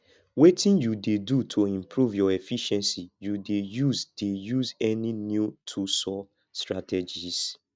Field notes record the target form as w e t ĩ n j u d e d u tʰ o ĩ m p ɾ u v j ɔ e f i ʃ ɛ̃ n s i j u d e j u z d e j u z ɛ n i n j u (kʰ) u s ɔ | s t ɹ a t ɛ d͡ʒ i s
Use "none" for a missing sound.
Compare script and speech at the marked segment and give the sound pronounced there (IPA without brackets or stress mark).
tʰ